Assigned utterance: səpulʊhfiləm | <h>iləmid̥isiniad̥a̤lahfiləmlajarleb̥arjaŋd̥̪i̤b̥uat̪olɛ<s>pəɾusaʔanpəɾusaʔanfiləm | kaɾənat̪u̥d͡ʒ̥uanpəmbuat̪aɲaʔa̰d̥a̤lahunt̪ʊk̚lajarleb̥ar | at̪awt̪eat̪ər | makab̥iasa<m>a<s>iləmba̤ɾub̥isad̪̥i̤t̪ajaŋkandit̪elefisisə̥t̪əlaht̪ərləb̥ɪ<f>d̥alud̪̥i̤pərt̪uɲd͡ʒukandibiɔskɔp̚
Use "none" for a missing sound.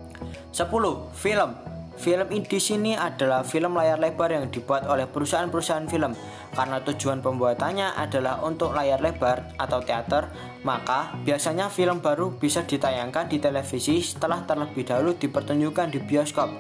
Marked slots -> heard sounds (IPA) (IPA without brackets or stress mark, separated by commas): f, h, ɲ, f, h